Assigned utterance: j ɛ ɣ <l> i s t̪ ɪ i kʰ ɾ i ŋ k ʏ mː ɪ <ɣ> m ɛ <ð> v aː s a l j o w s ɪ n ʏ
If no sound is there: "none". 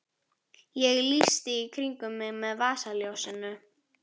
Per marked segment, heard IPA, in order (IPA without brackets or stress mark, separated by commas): l, ɣ, ð